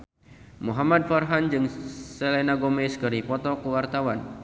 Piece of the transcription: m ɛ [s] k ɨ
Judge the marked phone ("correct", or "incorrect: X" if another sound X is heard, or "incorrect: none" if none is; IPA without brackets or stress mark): correct